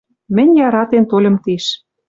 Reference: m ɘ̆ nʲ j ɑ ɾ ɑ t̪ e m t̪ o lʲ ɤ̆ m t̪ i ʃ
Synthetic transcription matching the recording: m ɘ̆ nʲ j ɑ ɾ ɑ t̪ e n t̪ o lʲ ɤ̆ m t̪ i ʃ